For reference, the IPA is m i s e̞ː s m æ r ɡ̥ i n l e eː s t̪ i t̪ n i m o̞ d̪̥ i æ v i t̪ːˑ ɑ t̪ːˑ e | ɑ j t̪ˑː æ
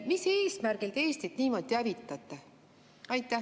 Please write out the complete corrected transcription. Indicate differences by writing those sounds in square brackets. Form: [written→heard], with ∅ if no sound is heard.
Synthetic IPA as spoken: m i s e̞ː s m æ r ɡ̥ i [n→∅] l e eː s t̪ i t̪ n [i→iː] m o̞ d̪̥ i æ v i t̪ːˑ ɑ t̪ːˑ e | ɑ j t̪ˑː æ